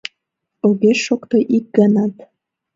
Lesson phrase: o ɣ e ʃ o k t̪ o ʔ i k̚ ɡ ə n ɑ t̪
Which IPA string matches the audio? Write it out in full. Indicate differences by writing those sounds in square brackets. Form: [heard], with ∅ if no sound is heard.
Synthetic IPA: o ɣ e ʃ o k t̪ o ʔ i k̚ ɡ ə n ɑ t̪